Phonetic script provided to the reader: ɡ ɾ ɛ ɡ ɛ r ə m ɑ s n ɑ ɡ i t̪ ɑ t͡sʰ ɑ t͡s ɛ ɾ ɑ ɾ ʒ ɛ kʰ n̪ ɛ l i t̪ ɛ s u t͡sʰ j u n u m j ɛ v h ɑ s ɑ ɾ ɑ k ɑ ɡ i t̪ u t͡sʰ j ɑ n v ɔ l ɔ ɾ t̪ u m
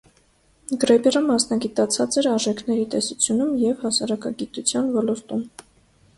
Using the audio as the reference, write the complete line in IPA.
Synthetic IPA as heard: ɡ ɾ ɛ b ɛ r ə m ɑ s n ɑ ɡ i t̪ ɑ t͡sʰ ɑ t͡s ɛ ɾ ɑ ɾ ʒ ɛ kʰ n̪ ɛ ɾ i t̪ ɛ s u t͡sʰ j u n u m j ɛ v h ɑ s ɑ ɾ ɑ k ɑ ɡ i t̪ u t͡sʰ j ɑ n v ɔ l ɔ ɾ t̪ u m